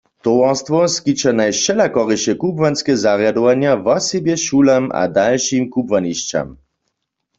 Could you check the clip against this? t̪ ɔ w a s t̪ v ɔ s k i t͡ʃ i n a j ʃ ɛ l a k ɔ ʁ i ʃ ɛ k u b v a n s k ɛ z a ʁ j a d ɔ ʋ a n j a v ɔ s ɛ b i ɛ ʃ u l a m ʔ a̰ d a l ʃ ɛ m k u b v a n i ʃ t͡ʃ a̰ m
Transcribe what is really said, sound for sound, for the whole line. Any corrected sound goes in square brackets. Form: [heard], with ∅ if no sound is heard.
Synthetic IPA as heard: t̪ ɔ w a s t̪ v ɔ s k i t͡ʃ [a] n a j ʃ ɛ l a k ɔ ʁ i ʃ ɛ k u b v a n s k ɛ z a ʁ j a d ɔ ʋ a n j a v ɔ s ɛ b [j] ɛ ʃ u l a m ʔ a̰ d a l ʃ [i] m k u b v a n i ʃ t͡ʃ a̰ m